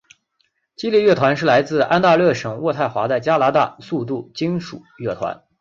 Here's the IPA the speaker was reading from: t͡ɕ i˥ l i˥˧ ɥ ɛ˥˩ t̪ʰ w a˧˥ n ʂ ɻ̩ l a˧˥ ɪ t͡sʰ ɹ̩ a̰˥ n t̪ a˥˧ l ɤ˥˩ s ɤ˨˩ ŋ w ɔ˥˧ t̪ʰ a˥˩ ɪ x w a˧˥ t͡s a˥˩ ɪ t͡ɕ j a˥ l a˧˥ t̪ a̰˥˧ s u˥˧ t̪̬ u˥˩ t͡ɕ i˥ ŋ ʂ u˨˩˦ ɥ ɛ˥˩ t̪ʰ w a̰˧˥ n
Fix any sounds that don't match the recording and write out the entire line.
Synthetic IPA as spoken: t͡ɕ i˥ l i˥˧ ɥ ɛ˥˩ t̪ʰ w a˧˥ n ʂ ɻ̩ l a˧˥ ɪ t͡s ɹ̩ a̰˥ n t̪ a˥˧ l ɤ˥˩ ʂ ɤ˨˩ ŋ w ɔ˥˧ t̪ʰ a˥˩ ɪ x w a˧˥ t͡s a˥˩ ɪ t͡ɕ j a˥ l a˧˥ t̪ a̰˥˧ s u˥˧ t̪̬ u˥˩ t͡ɕ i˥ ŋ ʂ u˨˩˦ ɥ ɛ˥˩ t̪ʰ w a̰˧˥ n